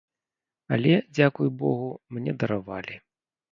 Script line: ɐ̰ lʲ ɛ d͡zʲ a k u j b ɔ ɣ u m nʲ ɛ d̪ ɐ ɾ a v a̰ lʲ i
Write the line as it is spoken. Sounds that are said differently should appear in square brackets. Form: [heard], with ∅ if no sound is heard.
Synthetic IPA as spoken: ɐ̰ lʲ ɛ d͡zʲ a k u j b ɔ ɣ u m nʲ ɛ d̪ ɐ ɾ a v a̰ lʲ i